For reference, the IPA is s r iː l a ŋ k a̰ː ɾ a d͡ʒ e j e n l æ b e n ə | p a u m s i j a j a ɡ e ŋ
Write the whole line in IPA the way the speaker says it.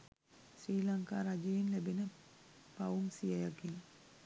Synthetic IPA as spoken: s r iː l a ŋ k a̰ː ɾ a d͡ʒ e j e n l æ b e n ə | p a u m s i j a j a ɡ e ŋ

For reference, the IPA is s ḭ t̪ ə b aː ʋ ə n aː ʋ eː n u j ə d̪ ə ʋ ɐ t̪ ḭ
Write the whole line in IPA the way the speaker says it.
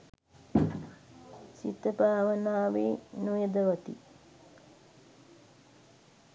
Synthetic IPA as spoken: s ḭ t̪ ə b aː ʋ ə n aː ʋ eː n u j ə d̪ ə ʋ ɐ t̪ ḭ

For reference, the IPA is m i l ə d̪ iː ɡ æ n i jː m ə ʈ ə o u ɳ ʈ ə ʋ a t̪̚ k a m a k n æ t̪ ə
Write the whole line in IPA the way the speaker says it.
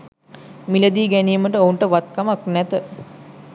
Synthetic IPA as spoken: m i l ə d̪ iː ɡ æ n i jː m ə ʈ ə o u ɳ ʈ ə ʋ a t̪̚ k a m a k n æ t̪ ə

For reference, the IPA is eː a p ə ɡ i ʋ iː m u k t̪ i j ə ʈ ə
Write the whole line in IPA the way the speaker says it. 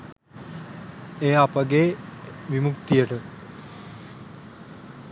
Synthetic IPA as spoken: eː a p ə ɡ e ʋ i m u k t̪ i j ə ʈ ə

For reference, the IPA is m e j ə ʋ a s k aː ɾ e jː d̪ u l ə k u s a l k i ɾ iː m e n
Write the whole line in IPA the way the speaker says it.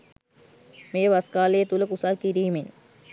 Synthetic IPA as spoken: m e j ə ʋ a s k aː l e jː t̪ u l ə k u s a l k i ɾ iː m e n

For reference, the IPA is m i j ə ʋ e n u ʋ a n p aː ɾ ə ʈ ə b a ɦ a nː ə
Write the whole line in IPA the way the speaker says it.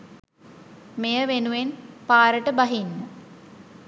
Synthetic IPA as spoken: m e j ə ʋ e n u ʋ e n p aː ɾ ə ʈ ə b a ɦ i nː ə

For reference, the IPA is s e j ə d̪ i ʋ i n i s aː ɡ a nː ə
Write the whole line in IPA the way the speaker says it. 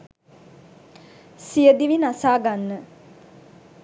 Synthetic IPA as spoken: s i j ə d̪ i ʋ i n a s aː ɡ a nː ə

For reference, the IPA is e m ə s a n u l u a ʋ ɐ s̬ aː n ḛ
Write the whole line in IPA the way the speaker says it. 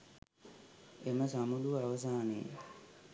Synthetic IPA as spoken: e m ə s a m u l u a ʋ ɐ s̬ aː n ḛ

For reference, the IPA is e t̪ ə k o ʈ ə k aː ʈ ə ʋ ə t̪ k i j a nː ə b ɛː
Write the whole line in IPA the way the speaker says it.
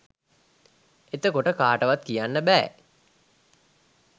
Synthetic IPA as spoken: e t̪ ə k o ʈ ə k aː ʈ ə ʋ a t̪ k i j a nː ə b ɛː

